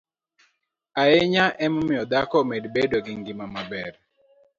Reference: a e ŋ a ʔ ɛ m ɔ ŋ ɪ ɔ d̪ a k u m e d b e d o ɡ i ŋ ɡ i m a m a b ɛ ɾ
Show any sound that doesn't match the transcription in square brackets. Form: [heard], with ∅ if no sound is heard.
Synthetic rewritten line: a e [ɲ] a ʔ ɛ m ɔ [m] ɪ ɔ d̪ a k [ɔ] m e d b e d o ɡ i ŋ ɡ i m a m a b ɛ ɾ

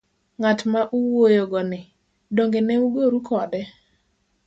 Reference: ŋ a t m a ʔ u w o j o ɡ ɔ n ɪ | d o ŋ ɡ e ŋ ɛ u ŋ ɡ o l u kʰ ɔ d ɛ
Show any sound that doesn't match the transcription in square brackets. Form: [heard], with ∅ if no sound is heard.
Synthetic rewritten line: ŋ a t m a ʔ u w o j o ɡ ɔ n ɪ | d o ŋ ɡ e [n] ɛ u [∅] ɡ o [ɾ] u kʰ ɔ d ɛ

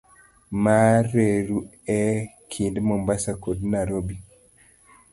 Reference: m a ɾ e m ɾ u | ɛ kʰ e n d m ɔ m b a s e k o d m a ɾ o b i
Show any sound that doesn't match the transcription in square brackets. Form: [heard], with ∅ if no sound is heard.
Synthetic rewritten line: m a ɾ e [∅] ɾ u | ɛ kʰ [i] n d m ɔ m b a s [a] k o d [n] a ɾ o b i

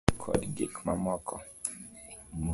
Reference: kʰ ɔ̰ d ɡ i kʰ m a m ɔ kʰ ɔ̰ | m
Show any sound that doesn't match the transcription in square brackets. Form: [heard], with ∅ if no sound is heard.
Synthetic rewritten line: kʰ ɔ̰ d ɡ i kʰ m a m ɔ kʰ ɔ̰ | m

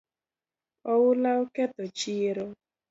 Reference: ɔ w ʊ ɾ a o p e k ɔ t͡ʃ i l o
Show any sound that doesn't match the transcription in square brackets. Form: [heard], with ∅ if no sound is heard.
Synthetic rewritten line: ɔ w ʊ [l] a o [k] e [t] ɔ t͡ʃ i [ɾ] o

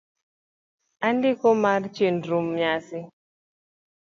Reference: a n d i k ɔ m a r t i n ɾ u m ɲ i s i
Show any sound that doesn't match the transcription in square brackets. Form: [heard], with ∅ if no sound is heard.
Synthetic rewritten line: a n d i k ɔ m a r [t͡ʃ] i n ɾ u m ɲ [a] s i

